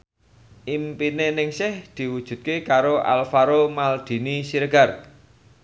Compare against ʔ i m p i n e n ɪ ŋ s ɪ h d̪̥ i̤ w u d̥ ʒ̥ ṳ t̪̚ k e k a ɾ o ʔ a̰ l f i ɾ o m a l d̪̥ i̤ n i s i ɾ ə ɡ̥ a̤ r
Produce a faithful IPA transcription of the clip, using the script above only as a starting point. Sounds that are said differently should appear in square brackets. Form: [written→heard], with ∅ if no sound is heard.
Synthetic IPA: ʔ i m p i n e n ɪ ŋ s ɪ h d̪̥ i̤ w u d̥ ʒ̥ ṳ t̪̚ k e k a ɾ o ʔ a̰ l f [i→a] ɾ o m a l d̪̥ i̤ n i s i ɾ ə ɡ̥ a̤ r